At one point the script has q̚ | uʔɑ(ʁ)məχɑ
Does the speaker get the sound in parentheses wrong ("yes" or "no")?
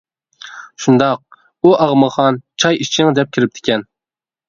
no